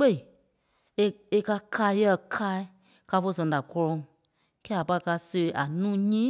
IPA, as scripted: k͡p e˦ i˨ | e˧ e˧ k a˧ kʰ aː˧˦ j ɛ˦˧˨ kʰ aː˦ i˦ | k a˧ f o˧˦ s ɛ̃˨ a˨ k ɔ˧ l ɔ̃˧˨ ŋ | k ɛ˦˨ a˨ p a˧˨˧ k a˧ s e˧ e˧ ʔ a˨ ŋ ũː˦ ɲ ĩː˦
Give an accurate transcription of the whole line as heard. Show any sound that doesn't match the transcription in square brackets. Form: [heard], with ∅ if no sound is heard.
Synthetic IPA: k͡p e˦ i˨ | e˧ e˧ k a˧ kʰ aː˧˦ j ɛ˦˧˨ kʰ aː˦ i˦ | k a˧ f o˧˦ s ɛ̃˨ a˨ k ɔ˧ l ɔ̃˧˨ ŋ | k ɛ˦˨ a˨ p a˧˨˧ k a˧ s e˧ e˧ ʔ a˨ [n] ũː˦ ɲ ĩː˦